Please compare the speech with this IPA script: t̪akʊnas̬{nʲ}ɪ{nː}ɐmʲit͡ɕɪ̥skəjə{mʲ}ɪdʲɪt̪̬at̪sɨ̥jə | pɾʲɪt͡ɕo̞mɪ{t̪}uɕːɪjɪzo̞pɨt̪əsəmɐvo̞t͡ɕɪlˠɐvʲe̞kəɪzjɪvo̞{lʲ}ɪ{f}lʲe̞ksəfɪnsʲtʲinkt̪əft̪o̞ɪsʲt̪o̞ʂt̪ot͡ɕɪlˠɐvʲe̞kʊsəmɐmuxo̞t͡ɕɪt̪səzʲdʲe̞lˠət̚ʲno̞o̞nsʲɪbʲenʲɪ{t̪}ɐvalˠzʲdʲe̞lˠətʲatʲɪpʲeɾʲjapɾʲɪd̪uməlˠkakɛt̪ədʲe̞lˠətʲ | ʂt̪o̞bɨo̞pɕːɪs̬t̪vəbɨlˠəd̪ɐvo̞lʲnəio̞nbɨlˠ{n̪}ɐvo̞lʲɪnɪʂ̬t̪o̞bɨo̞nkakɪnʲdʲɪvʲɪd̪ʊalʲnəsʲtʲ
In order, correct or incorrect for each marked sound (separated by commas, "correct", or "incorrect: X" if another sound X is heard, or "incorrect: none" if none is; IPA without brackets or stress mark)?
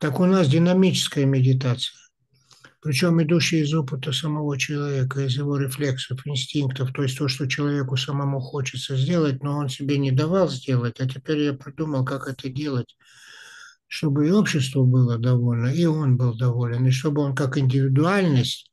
incorrect: dʲ, incorrect: n, correct, incorrect: d̪, incorrect: ɾʲ, correct, incorrect: d̪, incorrect: d̪